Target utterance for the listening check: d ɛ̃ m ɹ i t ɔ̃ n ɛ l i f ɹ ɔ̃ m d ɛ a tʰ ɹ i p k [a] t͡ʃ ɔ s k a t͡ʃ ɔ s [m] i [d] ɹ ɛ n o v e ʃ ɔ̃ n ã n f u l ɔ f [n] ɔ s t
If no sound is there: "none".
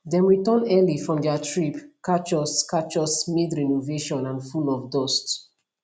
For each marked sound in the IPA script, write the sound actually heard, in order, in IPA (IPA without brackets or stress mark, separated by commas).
a, m, d, d